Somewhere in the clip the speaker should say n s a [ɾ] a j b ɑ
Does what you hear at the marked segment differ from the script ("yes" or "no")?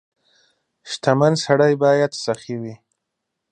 yes